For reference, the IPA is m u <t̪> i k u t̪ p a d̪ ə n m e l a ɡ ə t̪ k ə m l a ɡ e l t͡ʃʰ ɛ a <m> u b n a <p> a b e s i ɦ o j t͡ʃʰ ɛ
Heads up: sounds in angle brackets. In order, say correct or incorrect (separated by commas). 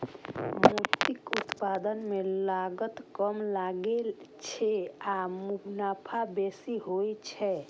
correct, correct, incorrect